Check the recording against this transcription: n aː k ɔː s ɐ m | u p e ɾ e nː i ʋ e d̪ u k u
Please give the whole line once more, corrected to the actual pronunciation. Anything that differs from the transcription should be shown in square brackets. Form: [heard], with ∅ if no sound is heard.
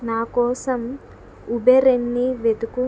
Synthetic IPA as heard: n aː k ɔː s ɐ m | u [b] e ɾ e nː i ʋ e d̪ u k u